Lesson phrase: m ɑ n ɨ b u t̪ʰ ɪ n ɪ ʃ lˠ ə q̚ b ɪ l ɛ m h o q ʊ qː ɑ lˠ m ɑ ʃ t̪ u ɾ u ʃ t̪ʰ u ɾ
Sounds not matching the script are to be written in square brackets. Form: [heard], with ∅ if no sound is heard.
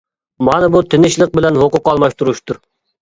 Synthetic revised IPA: m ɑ n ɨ b u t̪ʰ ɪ n ɪ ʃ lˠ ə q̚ b ɪ l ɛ [n] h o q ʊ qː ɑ lˠ m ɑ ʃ t̪ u ɾ u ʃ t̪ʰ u ɾ